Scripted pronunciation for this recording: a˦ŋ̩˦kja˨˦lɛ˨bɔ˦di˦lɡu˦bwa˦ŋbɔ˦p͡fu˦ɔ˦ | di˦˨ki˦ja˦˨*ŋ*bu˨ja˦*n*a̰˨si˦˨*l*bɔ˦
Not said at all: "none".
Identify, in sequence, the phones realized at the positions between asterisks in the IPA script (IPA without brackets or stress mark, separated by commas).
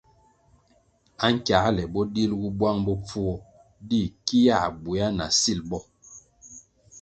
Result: none, n, l